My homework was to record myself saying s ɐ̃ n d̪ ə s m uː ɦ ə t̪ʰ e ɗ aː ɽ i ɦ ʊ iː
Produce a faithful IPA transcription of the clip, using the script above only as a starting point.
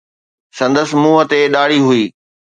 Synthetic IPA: s ɐ̃ n d̪ ə s m uː ɦ ə t̪ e ɗ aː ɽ i ɦ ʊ iː